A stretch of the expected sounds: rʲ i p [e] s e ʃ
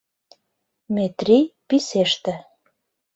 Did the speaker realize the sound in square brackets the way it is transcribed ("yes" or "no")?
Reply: no